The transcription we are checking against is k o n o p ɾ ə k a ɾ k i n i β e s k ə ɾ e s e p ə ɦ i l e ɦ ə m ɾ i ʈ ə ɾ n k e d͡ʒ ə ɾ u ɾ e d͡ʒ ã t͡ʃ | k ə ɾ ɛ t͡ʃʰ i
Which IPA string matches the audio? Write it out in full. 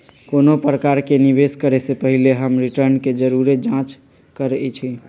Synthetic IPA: k o n o p ɾ ə k a ɾ k e n i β e s k ə ɾ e s e p ə ɦ i l e ɦ ə m ɾ i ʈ ə ɾ n k e d͡ʒ ə ɾ u ɾ e d͡ʒ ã t͡ʃ | k ə ɾ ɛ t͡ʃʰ i

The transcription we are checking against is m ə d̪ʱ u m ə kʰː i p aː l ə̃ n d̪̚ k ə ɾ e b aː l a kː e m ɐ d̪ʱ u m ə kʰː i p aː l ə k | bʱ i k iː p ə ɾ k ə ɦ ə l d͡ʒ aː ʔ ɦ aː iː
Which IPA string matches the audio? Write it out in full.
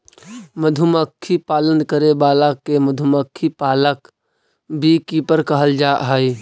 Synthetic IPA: m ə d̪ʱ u m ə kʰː i p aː l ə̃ n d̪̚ k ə ɾ e b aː l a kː e m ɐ d̪ʱ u m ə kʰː i p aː l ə k | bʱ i k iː p ə ɾ k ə ɦ ə l d͡ʒ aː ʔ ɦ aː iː

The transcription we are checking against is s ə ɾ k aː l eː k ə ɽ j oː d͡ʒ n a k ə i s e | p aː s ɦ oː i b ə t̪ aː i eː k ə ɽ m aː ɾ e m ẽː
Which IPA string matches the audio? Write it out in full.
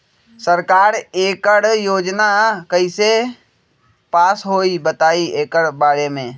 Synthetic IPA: s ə ɾ k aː ɾ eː k ə ɽ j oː d͡ʒ n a k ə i s e | p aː s ɦ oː i b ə t̪ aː i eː k ə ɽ b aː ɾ e m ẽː

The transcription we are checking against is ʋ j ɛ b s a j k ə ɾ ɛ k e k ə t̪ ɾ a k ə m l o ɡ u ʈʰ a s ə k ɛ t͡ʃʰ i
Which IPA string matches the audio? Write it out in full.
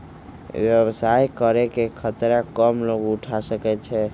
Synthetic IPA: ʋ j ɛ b s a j k ə ɾ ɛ k e kʰ ə t̪ ɾ a k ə m l o ɡ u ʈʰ a s ə k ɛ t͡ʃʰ ɛ

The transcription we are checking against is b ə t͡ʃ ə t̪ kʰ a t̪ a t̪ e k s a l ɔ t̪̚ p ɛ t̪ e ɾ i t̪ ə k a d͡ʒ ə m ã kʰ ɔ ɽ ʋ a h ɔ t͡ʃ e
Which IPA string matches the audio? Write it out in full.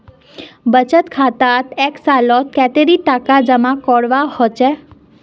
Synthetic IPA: b ə t͡ʃ ə t̪ kʰ a t̪ a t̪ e k s a l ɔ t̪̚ k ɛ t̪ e ɾ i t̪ a k a d͡ʒ ə m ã k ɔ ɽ ʋ a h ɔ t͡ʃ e

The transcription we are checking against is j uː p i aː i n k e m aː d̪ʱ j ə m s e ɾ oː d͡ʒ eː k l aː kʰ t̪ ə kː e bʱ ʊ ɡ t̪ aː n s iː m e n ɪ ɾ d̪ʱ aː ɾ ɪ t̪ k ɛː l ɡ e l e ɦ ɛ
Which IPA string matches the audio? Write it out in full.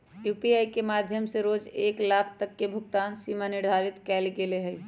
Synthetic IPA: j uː p i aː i k e m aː d̪ʱ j ə m s e ɾ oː d͡ʒ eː k l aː kʰ t̪ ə kː e bʱ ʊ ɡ t̪ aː n s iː m a n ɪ ɾ d̪ʱ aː ɾ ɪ t̪ k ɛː l ɡ e l e ɦ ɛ

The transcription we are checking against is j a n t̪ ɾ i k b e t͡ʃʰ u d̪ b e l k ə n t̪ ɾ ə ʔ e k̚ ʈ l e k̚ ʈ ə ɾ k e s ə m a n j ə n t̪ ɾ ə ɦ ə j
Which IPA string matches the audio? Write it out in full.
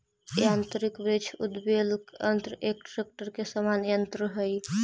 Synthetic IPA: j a n t̪ ɾ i k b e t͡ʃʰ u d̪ b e l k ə n t̪ ɾ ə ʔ e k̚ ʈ ɾ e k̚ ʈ ə ɾ k e s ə m a n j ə n t̪ ɾ ə ɦ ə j

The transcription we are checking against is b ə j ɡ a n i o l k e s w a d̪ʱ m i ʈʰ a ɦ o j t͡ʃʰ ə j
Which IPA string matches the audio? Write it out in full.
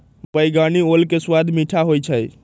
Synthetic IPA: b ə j ɡ a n i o l k e s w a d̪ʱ m i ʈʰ a ɦ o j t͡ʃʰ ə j

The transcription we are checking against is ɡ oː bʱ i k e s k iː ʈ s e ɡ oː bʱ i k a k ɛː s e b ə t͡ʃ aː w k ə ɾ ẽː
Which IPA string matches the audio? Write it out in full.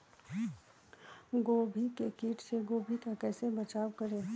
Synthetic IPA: ɡ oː bʱ i k e k iː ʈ s e ɡ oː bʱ i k a k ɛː s e b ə t͡ʃ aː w k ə ɾ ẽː

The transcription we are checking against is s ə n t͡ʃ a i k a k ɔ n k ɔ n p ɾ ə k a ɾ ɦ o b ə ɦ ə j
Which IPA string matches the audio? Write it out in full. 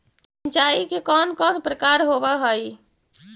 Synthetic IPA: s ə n t͡ʃ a i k e k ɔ n k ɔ n p ɾ ə k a ɾ ɦ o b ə ɦ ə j

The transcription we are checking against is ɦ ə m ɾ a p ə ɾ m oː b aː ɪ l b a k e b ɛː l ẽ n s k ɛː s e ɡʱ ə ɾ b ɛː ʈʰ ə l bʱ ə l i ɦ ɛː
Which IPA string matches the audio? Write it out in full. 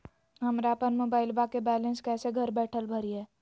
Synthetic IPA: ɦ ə m ɾ a p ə ɾ m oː b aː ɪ l b a k e b ɛː l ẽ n s k ɛː s e ɡʱ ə ɾ b ɛː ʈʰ ə l bʱ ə ɾ i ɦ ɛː

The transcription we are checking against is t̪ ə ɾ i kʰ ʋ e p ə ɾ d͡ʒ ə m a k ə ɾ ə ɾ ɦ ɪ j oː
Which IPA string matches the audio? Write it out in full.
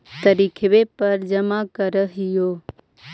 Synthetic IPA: t̪ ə ɾ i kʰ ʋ e p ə ɾ d͡ʒ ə m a k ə ɾ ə ɦ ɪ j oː

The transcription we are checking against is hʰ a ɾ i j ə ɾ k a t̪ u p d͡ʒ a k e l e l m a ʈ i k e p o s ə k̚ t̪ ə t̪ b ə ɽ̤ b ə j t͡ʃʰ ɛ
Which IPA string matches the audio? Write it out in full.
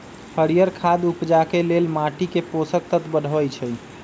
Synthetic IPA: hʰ ə ɾ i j ə ɾ kʰ a d̪ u p d͡ʒ a k e l e l m a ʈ i k e p o s ə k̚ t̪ ə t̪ b ə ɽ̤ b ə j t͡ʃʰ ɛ

